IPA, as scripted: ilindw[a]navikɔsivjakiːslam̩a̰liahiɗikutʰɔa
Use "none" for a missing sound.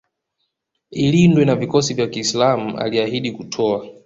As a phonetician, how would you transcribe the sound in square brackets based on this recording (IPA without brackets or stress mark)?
ɛ